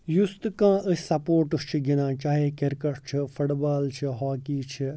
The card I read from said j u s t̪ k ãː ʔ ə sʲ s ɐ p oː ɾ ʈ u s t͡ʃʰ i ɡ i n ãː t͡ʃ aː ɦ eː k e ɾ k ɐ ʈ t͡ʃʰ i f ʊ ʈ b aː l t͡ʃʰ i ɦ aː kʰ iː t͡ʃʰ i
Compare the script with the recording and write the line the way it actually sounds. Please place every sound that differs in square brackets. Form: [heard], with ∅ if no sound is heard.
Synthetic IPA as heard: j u s t̪ k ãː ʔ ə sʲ s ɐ p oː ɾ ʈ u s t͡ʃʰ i ɡ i n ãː t͡ʃ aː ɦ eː k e ɾ k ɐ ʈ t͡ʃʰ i f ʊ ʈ b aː l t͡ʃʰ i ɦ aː [k] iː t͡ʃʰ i